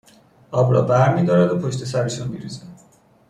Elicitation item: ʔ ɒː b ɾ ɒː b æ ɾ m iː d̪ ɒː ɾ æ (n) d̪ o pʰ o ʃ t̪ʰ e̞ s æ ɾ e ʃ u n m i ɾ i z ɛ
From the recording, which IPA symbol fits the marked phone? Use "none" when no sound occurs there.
none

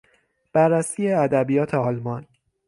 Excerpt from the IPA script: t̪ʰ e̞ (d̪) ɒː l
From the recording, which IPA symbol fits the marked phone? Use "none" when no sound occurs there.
none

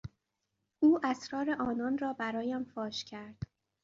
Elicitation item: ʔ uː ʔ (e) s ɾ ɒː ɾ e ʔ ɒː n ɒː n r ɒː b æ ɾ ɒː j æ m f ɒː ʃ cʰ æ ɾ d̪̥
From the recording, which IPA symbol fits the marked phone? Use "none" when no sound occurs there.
æ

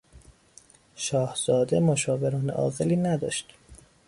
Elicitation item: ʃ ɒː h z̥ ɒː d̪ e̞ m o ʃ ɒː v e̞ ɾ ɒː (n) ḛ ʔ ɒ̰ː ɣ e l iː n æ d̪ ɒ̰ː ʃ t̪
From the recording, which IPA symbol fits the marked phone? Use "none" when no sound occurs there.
n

